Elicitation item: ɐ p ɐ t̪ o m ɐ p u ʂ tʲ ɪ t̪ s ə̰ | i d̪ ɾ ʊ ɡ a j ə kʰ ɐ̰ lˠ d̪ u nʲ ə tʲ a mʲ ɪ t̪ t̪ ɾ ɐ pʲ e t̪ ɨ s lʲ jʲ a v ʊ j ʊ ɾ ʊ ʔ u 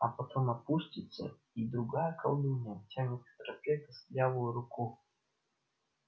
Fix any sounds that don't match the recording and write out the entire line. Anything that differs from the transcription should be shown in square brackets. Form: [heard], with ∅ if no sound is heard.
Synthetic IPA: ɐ p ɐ t̪ o m ɐ p u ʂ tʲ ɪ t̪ s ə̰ | i d̪ ɾ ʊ ɡ a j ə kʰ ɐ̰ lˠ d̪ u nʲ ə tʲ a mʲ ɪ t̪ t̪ ɾ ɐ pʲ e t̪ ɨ s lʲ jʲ a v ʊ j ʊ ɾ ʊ [k] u

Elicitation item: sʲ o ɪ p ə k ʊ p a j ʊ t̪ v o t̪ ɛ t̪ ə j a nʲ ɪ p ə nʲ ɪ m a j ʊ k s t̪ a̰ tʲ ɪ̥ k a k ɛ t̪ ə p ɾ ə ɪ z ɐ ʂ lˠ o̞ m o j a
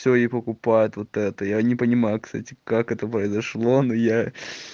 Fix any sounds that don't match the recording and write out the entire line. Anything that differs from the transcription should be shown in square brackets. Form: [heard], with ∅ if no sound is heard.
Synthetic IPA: sʲ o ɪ p ə k ʊ p a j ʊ t̪ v o t̪ ɛ t̪ ə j a nʲ ɪ p ə nʲ ɪ m a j ʊ k s t̪ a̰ tʲ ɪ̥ k a k ɛ t̪ ə p ɾ ə ɪ z ɐ ʂ lˠ o̞ [n] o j a

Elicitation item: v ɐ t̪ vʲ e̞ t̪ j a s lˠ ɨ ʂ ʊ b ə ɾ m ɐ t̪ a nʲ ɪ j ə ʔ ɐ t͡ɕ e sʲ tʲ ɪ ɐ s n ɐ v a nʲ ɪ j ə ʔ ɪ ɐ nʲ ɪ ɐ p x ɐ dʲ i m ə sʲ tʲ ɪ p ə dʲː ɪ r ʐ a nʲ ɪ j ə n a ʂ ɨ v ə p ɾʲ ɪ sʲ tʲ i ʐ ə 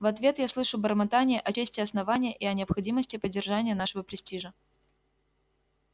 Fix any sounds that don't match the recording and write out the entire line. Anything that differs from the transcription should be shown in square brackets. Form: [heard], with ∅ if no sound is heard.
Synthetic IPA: v ɐ t̪ vʲ e̞ t̪ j a s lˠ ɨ ʂ ʊ b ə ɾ m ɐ t̪ a nʲ ɪ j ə ʔ ɐ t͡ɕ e sʲ tʲ ɪ ɐ s n ɐ v a nʲ ɪ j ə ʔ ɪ ɐ nʲ ɪ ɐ p x ɐ dʲ i m ə sʲ tʲ ɪ p ə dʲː ɪ r ʐ a nʲ ɪ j ə n a ʂ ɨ v ə p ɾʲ ɪ sʲ tʲ i ʐ ə

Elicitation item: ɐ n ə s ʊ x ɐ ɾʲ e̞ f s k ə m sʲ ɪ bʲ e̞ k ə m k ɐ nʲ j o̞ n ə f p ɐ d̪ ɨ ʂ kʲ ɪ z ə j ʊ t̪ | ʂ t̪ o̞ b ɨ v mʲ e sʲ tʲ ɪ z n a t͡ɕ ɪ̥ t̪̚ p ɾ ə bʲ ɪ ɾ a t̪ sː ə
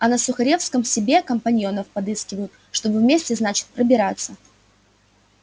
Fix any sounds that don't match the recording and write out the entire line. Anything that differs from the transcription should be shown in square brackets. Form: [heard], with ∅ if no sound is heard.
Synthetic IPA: ɐ n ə s ʊ x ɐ ɾʲ e̞ f s k ə m sʲ ɪ bʲ e̞ k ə m [p] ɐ nʲ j o̞ n ə f p ɐ d̪ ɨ [s] kʲ ɪ [v] ə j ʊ t̪ | ʂ t̪ o̞ b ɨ v mʲ e sʲ tʲ ɪ z n a t͡ɕ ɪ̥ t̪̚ p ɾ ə bʲ ɪ ɾ a t̪ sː ə

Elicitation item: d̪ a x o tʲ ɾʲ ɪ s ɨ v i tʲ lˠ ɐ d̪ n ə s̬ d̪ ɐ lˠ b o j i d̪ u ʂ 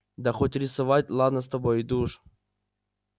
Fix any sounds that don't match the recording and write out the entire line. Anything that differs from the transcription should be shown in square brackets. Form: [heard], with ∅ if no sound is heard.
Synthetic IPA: d̪ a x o tʲ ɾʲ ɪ s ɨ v [a] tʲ lˠ [a] d̪ n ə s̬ [t̪] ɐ [∅] b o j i d̪ u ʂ

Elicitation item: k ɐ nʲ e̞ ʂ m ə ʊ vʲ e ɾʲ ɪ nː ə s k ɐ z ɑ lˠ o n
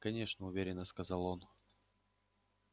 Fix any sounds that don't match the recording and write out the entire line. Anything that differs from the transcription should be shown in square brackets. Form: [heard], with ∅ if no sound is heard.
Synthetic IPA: k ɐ nʲ e̞ ʂ [n] ə ʊ vʲ e ɾʲ ɪ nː ə s k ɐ z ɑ lˠ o n

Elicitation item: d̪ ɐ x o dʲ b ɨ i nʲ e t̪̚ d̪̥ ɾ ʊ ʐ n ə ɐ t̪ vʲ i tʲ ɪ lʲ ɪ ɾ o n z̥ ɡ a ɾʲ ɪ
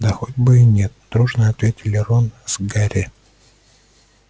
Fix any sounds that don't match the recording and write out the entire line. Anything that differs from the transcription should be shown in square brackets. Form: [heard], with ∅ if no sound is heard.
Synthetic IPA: d̪ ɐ x o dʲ b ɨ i nʲ e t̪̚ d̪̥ ɾ [u] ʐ n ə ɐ t̪ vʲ [e] tʲ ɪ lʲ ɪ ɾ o n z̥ ɡ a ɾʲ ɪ

